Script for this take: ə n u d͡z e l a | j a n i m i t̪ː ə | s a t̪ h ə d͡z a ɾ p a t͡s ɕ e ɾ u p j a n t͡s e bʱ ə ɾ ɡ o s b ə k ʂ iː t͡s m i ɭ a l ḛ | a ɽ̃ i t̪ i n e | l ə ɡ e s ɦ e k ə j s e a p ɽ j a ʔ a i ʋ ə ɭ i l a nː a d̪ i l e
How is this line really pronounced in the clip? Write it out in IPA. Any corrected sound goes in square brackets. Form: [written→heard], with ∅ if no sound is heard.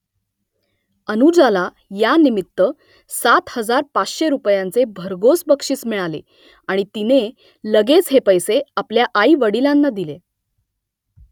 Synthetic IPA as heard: ə n u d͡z [e→a] l a | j a n i m i t̪ː ə | s a t̪ h ə d͡z a ɾ p a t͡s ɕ e ɾ u p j a n t͡s e bʱ ə ɾ ɡ o s b ə k ʂ iː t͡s m i ɭ a l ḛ | a ɽ̃ i t̪ i n e | l ə ɡ e [s→t͡s] ɦ e [k→p] ə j s e a p [ɽ→l] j a ʔ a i ʋ ə [ɭ→ɽ] i l a nː a d̪ i l e